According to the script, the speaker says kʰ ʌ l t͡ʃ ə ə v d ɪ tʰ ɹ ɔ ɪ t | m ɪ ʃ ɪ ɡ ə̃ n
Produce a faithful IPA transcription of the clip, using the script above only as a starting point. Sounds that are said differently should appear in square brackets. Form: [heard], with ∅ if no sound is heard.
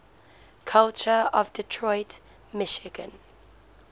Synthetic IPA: kʰ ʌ l t͡ʃ ə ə v d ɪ tʰ ɹ ɔ ɪ t | m ɪ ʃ ɪ ɡ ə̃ n